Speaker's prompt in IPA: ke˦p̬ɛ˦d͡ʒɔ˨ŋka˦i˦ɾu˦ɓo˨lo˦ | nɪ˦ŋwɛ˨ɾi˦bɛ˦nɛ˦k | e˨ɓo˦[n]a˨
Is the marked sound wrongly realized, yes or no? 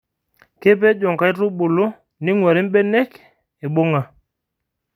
yes